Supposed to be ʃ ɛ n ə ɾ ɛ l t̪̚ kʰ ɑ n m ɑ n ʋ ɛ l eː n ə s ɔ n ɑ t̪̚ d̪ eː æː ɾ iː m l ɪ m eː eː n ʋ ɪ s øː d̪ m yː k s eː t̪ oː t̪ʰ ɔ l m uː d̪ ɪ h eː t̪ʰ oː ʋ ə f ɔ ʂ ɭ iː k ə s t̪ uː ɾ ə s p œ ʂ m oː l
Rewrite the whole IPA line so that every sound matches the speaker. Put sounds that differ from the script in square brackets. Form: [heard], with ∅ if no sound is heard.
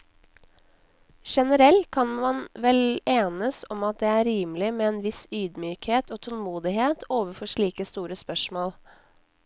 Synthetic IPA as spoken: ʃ ɛ n ə ɾ ɛ l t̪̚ kʰ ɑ n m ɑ n ʋ ɛ l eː n ə s ɔ [m] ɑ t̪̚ d̪ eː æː ɾ iː m l ɪ m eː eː n ʋ ɪ s [yː] d̪ m yː k [h] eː t̪ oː t̪ʰ ɔ l m uː d̪ ɪ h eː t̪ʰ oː ʋ ə f ɔ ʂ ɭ iː k ə s t̪ uː ɾ ə s p œ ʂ m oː l

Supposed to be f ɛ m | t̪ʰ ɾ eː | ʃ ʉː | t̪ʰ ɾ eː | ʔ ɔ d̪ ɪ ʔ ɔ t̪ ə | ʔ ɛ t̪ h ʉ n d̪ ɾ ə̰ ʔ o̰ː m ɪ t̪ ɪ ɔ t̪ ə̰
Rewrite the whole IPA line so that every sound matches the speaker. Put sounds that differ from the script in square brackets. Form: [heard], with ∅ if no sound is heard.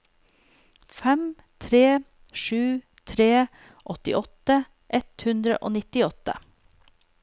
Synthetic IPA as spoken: f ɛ m | t̪ʰ ɾ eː | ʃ ʉː | t̪ʰ ɾ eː | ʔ ɔ [t̪] ɪ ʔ ɔ t̪ ə | ʔ ɛ t̪ h ʉ n d̪ ɾ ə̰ ʔ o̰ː [n] ɪ t̪ ɪ ɔ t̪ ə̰

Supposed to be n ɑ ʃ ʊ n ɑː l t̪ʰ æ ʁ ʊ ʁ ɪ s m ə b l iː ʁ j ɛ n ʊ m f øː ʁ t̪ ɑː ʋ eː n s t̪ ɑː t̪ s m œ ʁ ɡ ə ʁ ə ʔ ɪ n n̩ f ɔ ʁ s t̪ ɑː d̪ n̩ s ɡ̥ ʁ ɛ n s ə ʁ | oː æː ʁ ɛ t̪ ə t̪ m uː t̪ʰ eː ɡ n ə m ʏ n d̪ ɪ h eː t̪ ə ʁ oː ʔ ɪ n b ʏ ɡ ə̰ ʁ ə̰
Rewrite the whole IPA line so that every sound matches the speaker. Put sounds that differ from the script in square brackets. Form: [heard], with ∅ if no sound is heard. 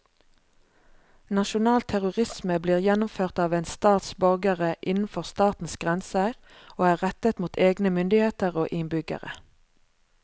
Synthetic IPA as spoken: n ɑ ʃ ʊ n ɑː l t̪ʰ æ ʁ ʊ ʁ ɪ s m ə b l iː ʁ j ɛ n ʊ m f øː ʁ t̪ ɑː ʋ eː n s t̪ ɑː t̪ s [b] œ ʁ ɡ ə ʁ ə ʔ ɪ n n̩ f ɔ ʁ s t̪ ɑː [t̪] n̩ s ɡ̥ ʁ ɛ n s ə ʁ | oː æː ʁ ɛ t̪ ə t̪ m uː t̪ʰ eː ɡ n ə m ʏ n d̪ ɪ h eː t̪ ə ʁ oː ʔ ɪ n b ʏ ɡ ə̰ ʁ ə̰

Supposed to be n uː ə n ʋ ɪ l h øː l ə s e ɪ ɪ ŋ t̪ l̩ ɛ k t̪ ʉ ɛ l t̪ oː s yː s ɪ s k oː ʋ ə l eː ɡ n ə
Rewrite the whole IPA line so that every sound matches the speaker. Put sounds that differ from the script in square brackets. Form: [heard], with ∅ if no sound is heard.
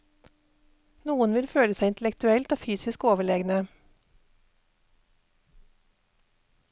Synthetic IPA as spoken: n uː ə n ʋ ɪ l [f] øː l ə s [æ] ɪ ɪ [n] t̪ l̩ ɛ k t̪ ʉ ɛ l t̪ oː [f] yː s ɪ s k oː ʋ ə [ɭ] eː ɡ n ə

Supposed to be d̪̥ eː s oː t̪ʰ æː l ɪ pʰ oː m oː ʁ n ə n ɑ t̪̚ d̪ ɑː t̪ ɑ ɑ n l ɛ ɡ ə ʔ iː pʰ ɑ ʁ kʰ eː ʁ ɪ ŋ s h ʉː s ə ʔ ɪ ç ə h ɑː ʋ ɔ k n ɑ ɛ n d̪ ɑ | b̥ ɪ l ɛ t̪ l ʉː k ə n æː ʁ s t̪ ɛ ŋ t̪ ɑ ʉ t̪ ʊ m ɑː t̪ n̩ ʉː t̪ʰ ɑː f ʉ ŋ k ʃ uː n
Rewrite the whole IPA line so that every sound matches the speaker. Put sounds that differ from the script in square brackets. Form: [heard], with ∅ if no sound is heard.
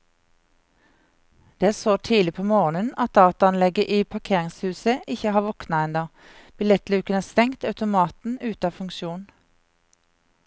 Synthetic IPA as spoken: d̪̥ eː s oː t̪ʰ [iː] l ɪ pʰ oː m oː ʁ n ə n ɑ t̪̚ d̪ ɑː t̪ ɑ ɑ n l ɛ ɡ ə ʔ iː pʰ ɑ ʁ kʰ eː ʁ ɪ ŋ s h ʉː s ə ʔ ɪ ç ə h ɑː ʋ ɔ k n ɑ ɛ n d̪ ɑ | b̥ ɪ l ɛ t̪ l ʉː k ə n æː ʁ s t̪ ɛ ŋ t̪ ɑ ʉ t̪ ʊ m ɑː t̪ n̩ ʉː [t̪] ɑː f ʉ ŋ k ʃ uː n

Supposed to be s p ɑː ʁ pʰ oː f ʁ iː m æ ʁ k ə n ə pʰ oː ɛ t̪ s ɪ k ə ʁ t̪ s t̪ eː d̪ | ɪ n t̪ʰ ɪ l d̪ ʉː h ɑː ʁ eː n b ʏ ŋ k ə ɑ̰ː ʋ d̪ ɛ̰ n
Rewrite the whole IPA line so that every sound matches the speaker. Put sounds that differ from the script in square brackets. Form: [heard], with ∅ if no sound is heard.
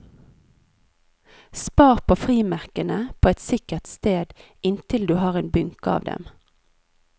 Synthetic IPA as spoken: s p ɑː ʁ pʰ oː f ʁ iː m æ ʁ k ə n ə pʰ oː ɛ t̪ s ɪ k ə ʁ t̪ s t̪ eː d̪ | ɪ n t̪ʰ ɪ l d̪ ʉː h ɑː ʁ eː n b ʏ ŋ k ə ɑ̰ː ʋ d̪ ɛ̰ [m]

